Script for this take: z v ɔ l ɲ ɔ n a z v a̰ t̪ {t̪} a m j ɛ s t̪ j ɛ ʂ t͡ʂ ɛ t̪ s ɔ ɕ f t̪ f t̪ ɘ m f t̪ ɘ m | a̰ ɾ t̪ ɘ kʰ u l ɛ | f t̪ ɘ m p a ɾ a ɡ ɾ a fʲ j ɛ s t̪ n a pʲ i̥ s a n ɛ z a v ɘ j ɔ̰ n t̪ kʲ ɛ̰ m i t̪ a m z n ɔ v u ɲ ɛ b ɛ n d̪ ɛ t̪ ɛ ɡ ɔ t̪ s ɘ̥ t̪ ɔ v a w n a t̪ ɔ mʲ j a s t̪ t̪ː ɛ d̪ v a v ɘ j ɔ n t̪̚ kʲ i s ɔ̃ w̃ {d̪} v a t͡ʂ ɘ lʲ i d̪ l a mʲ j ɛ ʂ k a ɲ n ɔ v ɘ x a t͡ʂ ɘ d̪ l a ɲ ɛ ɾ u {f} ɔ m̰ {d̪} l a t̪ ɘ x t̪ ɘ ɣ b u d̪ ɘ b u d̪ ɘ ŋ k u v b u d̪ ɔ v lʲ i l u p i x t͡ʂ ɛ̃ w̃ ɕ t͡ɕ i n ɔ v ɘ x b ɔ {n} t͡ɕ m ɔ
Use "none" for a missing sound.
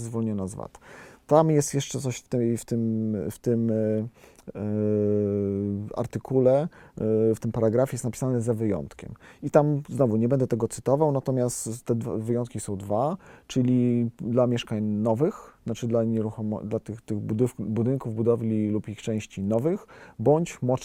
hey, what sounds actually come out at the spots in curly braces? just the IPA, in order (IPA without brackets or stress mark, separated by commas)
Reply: t̪, d̪, x, d̪, ɲ